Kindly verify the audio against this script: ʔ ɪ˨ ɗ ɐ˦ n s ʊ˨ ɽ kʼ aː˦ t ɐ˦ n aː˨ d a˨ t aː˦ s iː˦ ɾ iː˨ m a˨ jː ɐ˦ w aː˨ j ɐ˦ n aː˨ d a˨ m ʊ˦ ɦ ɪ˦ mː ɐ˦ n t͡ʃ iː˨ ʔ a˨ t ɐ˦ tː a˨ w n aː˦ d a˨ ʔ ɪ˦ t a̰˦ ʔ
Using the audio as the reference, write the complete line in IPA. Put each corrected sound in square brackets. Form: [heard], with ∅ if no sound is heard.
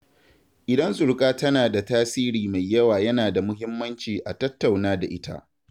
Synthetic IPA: ʔ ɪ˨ [d] ɐ˦ n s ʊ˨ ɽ kʼ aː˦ t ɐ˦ n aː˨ d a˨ t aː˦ s iː˦ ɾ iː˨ m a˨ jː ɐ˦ w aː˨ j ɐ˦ n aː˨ d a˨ m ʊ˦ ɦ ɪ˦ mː ɐ˦ n t͡ʃ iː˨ ʔ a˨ t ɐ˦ tː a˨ w n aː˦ d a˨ ʔ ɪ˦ t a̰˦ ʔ